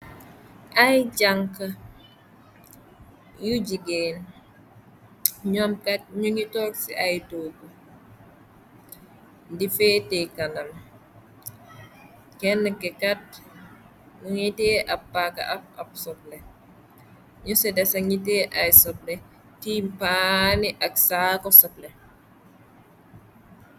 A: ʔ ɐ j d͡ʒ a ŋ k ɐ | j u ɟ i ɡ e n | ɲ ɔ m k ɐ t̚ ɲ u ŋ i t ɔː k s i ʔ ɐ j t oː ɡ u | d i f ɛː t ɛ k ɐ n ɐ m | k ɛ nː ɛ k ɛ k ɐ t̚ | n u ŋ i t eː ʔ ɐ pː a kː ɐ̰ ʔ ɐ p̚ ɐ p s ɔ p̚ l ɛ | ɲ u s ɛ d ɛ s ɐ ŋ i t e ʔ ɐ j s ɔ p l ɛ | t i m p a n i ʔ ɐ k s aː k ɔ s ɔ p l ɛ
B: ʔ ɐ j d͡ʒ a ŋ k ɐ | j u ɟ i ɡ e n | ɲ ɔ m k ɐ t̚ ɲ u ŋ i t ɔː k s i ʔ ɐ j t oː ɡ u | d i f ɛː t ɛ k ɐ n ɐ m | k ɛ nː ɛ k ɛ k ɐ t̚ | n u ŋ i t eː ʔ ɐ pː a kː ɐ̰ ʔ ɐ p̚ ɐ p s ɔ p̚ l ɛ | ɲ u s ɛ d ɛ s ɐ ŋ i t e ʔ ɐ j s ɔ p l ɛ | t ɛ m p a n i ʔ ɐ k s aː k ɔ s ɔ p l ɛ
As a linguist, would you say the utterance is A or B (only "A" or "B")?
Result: A